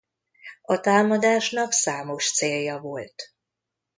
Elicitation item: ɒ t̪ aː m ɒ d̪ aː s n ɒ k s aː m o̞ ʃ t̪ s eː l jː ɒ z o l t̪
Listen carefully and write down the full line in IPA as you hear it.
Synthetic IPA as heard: ɒ t̪ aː m ɒ d̪ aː ʃ n ɒ k s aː m o̞ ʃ t̪ s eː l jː ɒ v o l t̪